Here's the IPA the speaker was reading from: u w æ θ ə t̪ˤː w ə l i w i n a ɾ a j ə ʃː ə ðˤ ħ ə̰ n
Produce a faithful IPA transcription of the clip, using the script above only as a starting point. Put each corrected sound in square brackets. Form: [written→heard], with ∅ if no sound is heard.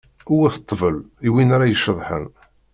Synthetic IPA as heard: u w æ θ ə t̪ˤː [w→v] ə l i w i n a ɾ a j ə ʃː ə ðˤ ħ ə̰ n